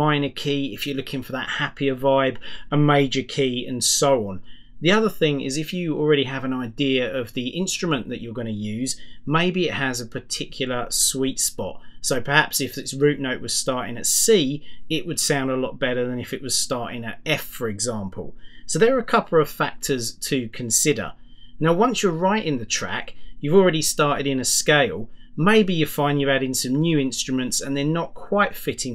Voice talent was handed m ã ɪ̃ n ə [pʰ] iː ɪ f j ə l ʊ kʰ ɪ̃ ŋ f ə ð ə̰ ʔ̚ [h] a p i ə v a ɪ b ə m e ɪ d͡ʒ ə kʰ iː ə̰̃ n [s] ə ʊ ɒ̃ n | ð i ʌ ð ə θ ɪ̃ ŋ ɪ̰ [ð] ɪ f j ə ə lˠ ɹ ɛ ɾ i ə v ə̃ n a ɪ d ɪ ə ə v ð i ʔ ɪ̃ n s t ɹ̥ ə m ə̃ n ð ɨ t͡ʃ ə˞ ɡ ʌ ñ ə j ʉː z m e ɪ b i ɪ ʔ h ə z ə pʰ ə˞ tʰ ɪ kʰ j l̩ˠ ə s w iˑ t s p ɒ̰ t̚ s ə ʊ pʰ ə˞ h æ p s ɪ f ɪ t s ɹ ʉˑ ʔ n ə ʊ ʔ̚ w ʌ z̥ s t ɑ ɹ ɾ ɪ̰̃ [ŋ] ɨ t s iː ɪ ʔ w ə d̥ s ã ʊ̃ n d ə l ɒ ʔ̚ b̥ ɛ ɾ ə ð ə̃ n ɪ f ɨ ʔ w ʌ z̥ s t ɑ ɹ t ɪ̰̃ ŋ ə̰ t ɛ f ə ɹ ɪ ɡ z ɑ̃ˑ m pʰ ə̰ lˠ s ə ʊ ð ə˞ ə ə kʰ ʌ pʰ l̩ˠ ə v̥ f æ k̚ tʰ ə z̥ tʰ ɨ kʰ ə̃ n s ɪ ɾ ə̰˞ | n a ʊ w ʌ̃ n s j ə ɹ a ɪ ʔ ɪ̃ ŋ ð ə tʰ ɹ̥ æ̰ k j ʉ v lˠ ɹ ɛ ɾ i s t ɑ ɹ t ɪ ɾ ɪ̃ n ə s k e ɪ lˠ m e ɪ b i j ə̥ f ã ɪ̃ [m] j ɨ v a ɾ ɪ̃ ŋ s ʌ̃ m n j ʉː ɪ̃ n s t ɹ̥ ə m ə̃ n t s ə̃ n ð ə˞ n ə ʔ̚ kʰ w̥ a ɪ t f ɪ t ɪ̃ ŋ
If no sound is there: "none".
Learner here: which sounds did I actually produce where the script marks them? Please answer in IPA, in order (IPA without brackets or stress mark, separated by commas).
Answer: kʰ, h, s, z, ŋ, n